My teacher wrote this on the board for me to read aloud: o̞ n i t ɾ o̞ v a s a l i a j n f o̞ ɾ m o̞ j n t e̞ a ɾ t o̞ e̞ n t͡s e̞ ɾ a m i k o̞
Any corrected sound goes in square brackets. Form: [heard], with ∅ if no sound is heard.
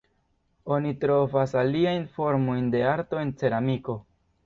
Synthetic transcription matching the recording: o̞ n i t ɾ o̞ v a s a l i a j n f o̞ ɾ m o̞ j n [d] e̞ a ɾ t o̞ e̞ n t͡s e̞ ɾ a m i k o̞